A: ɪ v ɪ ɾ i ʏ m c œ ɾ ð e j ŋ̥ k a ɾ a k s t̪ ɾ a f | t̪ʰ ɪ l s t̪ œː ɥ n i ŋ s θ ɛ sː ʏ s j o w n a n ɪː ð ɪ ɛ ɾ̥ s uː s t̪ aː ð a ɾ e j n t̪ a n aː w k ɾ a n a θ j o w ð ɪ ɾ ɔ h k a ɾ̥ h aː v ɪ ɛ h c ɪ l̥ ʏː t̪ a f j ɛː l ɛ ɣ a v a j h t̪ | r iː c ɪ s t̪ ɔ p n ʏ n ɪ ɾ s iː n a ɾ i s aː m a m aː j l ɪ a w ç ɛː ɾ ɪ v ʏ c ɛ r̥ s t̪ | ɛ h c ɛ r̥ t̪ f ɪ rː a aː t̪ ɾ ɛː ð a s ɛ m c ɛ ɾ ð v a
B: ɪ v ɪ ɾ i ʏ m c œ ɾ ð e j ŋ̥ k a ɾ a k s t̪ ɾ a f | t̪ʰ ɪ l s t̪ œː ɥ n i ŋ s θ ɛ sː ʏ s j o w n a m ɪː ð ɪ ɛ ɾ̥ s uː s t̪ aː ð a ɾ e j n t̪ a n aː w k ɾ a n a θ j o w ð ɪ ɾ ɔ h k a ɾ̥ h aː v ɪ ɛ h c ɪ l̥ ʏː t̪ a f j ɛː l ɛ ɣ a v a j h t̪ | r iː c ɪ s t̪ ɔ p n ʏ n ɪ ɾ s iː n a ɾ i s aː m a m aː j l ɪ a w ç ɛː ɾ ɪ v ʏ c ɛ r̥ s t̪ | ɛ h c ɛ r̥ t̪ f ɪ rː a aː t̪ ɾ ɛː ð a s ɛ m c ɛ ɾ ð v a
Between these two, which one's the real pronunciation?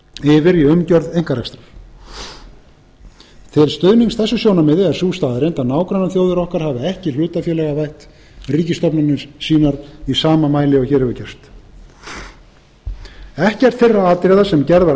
B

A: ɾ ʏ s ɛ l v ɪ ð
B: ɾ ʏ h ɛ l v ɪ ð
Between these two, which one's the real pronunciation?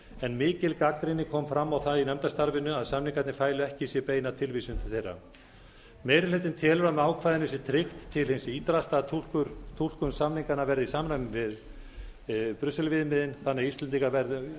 A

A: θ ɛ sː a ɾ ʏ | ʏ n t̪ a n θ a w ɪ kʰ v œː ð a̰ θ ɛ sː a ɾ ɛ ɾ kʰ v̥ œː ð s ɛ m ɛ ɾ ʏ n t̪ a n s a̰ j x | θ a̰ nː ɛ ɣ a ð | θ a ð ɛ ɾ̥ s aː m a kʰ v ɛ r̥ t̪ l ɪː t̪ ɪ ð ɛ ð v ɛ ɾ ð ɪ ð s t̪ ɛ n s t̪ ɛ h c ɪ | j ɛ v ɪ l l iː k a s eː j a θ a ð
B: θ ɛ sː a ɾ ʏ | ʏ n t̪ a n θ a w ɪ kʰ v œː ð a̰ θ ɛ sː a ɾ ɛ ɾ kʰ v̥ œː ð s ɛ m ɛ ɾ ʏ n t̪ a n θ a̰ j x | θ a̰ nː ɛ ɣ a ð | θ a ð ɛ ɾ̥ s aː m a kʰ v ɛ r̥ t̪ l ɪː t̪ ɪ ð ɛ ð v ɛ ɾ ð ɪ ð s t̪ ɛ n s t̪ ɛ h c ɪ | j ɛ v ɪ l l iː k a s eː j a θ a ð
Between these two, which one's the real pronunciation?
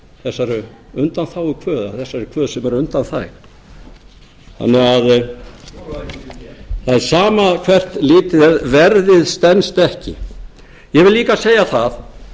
B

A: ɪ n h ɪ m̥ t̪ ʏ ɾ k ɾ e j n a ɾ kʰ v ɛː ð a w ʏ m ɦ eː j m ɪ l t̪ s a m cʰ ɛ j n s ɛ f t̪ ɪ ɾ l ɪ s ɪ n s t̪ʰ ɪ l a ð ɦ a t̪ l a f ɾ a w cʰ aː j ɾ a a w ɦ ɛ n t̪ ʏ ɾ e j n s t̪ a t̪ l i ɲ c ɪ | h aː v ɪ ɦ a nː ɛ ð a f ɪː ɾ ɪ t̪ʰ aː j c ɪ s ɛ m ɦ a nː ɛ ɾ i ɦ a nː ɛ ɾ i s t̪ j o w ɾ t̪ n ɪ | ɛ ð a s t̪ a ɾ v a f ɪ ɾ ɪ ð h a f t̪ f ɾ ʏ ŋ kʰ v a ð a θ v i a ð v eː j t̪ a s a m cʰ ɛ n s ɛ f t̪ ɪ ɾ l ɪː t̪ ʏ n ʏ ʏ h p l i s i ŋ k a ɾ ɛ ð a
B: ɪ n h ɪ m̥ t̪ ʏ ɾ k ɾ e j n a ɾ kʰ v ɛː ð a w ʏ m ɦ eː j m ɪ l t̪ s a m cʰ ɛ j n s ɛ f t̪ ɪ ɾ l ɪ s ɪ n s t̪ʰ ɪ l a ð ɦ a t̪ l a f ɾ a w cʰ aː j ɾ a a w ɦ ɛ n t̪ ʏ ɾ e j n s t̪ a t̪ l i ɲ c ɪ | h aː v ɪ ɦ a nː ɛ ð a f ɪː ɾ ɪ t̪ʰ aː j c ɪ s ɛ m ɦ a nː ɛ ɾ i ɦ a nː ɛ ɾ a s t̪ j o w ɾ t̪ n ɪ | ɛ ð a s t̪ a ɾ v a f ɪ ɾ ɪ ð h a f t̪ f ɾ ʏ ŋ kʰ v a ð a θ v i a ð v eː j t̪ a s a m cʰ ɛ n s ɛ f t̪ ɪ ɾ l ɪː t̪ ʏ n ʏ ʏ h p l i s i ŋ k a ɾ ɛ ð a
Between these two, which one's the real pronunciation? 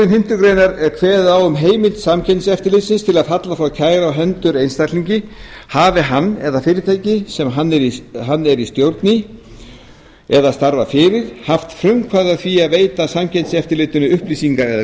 A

